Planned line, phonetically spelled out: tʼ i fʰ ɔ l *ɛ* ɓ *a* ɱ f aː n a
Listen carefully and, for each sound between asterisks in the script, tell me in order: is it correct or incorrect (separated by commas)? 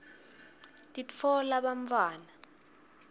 incorrect, correct